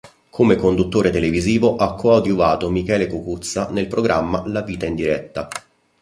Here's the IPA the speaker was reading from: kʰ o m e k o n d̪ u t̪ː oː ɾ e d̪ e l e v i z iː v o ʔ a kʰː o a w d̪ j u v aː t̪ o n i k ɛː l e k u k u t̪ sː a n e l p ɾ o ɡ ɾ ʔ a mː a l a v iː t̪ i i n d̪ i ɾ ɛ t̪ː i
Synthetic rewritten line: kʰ o m e k o n d̪ u t̪ː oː ɾ e t̪ e l e v i z iː v o ʔ a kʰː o a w d̪ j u v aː t̪ o m i k ɛː l e k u k u t̪ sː a n e l p ɾ o ɡ ɾ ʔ a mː a l a v iː t̪ a i n d̪ i ɾ ɛ t̪ː a